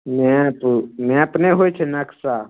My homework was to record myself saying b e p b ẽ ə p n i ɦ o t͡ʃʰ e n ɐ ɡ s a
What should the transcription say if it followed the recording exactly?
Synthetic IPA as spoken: m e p m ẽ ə p n e ɦ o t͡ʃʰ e n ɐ k s a